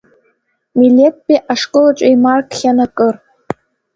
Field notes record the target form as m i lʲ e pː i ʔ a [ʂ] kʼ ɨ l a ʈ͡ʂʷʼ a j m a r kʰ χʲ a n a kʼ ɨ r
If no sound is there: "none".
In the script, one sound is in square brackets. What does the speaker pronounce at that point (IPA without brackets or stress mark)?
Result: ʂ